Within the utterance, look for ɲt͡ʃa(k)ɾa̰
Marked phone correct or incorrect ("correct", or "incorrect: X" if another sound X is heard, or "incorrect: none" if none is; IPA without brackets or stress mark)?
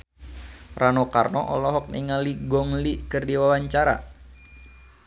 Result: incorrect: none